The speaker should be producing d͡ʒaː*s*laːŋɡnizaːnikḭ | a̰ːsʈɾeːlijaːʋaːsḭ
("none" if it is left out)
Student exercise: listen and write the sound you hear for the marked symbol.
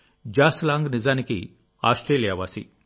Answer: s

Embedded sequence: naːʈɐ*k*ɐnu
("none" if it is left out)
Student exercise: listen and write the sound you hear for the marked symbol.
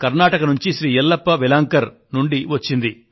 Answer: k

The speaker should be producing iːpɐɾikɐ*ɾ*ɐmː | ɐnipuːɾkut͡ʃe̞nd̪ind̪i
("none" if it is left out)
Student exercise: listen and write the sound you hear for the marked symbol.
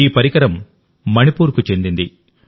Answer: ɾ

